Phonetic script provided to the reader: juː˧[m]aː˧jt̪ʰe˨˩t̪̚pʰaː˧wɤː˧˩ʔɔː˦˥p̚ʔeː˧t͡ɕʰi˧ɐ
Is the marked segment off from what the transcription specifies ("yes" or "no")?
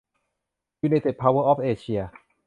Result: yes